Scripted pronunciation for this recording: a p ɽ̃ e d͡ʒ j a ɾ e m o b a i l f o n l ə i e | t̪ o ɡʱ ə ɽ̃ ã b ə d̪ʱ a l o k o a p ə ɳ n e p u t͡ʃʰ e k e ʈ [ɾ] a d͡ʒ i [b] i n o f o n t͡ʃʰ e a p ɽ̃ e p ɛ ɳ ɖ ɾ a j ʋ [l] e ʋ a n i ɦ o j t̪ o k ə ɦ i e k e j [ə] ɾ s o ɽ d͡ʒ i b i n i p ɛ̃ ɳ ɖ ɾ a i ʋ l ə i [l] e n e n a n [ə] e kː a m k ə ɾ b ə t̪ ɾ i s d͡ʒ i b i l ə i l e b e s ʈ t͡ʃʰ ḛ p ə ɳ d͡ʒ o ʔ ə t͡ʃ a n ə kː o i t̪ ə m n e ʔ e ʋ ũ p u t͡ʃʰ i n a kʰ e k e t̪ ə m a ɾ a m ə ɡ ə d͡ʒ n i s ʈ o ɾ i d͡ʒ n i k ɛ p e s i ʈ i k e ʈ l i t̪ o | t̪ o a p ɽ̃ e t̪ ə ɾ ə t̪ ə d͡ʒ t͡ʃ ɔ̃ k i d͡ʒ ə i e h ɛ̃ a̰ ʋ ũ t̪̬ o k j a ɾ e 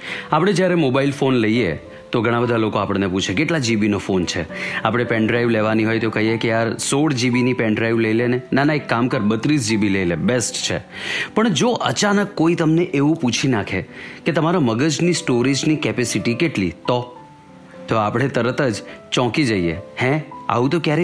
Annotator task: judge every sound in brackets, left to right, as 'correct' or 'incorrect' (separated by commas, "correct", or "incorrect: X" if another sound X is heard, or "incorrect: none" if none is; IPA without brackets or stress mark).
incorrect: l, correct, correct, incorrect: a, correct, incorrect: a